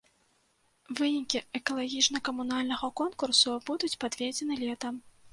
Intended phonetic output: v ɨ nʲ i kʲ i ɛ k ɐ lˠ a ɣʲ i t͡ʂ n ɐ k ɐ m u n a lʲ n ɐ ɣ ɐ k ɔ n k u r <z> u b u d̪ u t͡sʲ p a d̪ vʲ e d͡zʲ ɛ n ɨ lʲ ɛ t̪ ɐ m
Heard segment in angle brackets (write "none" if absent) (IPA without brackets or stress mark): s